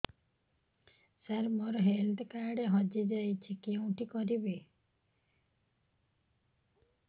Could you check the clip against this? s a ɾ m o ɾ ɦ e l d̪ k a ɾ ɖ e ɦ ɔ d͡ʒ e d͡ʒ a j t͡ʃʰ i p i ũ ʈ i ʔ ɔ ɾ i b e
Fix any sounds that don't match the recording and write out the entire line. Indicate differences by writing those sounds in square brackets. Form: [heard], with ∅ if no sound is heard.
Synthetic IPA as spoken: s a ɾ m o ɾ ɦ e l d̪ k a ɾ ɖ e ɦ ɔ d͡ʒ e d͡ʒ a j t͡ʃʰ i [k] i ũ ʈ i [k] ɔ ɾ i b e